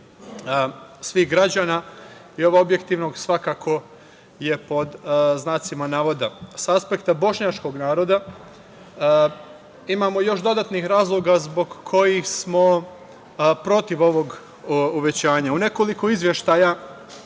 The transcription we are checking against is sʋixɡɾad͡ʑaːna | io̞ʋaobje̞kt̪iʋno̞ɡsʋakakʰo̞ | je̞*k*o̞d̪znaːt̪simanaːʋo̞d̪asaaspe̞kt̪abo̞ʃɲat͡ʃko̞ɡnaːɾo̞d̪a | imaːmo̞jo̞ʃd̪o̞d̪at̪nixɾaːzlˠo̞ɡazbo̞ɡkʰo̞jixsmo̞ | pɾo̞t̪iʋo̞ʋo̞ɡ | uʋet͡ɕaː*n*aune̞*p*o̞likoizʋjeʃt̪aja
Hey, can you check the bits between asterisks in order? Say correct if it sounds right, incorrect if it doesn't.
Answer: incorrect, incorrect, incorrect

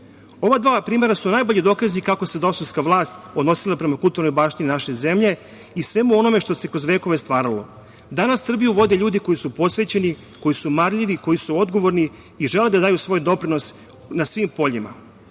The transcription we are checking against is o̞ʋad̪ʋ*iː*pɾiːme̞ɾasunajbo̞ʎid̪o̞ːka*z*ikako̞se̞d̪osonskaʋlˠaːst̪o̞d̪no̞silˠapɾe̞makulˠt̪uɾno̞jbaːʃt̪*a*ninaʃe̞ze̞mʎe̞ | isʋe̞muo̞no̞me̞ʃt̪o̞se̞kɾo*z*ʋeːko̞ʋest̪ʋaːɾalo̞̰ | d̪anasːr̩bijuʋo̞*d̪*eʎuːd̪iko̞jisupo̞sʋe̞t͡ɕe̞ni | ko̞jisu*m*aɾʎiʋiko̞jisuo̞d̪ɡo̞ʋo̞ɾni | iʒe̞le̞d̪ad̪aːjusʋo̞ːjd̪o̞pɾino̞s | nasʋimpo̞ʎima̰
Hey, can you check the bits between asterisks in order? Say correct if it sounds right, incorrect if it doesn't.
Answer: incorrect, correct, incorrect, correct, correct, correct

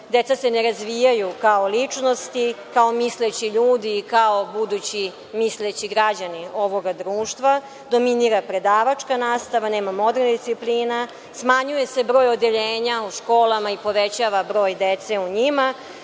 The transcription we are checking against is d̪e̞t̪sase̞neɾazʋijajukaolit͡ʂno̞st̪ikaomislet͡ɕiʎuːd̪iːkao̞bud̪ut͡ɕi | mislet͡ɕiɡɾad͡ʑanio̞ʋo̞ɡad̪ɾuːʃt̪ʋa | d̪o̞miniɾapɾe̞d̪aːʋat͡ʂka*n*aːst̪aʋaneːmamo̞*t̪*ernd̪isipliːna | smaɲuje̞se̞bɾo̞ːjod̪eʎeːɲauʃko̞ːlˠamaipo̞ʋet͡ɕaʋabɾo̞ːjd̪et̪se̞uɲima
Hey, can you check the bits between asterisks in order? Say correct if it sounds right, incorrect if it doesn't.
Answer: correct, incorrect

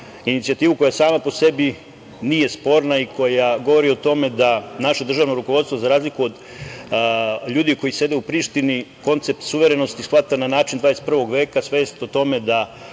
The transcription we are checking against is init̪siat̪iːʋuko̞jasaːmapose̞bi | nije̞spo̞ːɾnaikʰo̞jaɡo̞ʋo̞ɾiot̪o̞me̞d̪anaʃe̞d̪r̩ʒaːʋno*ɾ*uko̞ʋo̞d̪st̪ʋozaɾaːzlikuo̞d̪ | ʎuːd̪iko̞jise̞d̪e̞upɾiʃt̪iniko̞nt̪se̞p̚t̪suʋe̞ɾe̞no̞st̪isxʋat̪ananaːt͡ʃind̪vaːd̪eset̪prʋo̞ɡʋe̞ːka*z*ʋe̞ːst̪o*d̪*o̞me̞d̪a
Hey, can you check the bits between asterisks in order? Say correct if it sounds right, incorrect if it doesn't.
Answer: correct, incorrect, incorrect

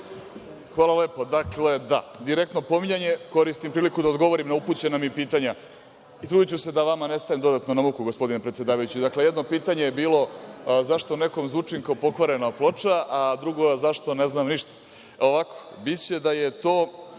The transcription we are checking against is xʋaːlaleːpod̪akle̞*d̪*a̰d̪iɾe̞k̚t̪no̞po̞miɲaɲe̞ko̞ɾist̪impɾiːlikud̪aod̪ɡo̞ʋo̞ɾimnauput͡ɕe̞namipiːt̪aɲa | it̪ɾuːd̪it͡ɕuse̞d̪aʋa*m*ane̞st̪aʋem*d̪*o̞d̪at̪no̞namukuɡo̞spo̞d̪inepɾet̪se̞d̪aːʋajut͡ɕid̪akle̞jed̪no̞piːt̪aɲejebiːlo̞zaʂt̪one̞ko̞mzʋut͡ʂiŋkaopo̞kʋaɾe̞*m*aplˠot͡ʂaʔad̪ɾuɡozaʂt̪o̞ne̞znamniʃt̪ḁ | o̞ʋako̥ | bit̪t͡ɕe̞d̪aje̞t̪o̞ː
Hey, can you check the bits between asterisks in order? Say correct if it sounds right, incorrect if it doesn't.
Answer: correct, correct, correct, incorrect

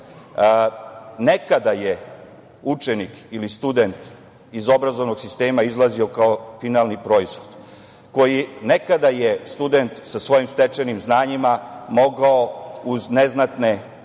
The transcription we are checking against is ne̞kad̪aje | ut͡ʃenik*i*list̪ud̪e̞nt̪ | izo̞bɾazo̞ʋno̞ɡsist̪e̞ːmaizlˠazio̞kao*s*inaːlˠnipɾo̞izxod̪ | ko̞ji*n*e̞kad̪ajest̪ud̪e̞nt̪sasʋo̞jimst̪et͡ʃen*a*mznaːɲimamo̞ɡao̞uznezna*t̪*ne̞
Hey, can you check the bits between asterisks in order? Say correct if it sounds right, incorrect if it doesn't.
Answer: correct, incorrect, correct, incorrect, correct

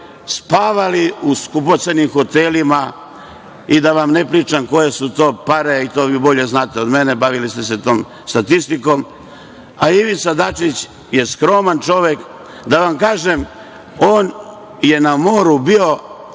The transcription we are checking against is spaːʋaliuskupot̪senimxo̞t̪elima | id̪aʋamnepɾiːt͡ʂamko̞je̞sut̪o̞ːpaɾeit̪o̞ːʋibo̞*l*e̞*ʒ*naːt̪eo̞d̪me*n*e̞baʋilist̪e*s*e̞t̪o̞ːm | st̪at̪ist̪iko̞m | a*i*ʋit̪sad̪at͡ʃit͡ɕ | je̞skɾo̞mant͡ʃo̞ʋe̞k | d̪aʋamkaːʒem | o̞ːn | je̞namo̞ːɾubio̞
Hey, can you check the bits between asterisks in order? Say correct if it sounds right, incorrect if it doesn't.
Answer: incorrect, incorrect, correct, correct, correct

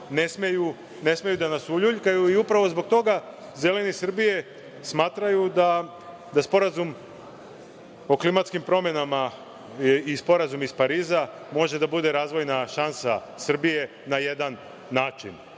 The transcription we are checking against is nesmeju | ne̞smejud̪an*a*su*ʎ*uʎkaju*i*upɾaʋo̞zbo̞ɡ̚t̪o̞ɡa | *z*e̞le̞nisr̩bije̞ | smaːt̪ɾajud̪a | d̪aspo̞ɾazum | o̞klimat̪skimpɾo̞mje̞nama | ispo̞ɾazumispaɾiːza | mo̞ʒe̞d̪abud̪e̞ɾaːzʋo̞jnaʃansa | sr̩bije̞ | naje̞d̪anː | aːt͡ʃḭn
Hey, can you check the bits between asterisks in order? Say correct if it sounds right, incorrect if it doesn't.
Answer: correct, correct, correct, correct

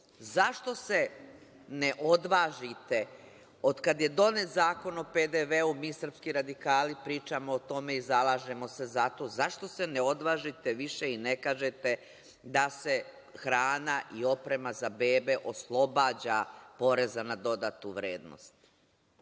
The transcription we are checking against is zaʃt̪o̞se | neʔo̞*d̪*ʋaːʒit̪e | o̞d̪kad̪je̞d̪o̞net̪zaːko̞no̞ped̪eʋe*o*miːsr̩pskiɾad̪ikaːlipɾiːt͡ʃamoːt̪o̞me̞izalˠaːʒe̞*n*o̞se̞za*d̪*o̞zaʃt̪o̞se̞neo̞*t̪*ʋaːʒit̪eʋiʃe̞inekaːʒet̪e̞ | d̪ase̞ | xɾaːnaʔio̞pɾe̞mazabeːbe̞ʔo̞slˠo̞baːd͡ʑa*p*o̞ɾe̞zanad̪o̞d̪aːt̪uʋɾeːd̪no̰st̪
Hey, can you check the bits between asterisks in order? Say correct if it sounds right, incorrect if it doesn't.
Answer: correct, incorrect, incorrect, incorrect, incorrect, correct

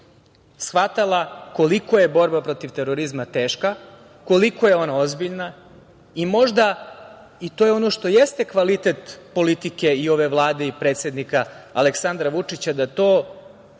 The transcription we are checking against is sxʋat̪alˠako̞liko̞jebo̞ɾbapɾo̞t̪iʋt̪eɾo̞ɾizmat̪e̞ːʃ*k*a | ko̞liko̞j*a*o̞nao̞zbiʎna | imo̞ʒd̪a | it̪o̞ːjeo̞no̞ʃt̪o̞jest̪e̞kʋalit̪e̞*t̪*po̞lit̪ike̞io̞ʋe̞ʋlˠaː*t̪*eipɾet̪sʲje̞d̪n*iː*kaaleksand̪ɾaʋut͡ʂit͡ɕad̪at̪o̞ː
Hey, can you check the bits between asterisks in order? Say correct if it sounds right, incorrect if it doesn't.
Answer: correct, incorrect, correct, incorrect, incorrect

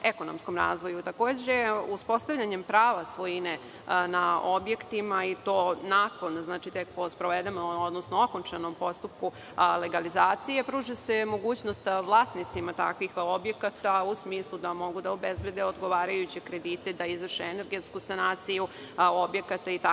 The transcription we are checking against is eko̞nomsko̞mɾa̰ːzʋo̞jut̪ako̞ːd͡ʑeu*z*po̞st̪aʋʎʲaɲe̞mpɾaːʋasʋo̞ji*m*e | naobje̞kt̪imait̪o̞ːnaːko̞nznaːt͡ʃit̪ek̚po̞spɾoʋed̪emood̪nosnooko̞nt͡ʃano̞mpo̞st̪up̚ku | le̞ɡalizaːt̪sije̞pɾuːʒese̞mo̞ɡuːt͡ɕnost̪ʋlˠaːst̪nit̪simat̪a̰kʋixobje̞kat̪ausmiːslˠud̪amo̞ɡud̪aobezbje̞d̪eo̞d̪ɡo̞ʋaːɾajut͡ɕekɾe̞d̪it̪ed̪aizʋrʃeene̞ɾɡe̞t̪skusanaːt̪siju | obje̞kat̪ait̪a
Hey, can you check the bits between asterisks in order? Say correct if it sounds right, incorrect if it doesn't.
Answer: incorrect, incorrect

